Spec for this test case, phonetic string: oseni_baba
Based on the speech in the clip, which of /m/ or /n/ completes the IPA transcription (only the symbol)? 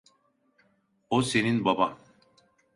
n